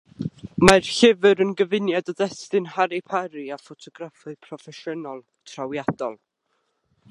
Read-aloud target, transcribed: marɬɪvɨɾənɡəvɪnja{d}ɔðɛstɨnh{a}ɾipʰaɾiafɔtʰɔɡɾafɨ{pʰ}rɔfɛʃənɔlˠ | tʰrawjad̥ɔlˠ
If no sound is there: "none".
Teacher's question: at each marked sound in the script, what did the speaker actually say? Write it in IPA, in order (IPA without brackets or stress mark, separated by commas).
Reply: d, a, pʰ